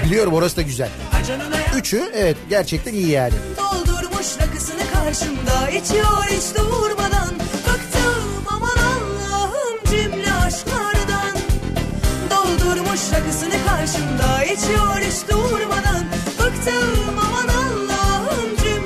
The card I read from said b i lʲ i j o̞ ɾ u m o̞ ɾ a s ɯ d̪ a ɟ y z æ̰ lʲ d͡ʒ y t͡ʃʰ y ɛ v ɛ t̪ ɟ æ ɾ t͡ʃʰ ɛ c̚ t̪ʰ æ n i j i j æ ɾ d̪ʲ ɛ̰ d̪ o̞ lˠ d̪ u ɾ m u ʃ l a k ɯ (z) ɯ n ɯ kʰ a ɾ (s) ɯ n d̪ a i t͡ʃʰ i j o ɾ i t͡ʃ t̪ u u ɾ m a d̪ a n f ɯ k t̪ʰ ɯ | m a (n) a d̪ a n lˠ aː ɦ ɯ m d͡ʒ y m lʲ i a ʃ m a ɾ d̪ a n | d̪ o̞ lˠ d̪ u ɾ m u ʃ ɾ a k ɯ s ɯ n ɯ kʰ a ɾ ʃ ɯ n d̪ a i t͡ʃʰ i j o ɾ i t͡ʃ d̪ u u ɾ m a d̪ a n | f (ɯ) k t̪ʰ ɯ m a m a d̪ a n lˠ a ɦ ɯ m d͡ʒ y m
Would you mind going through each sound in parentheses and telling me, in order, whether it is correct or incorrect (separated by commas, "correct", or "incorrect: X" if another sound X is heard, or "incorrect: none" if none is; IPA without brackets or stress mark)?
incorrect: s, incorrect: ʃ, incorrect: m, correct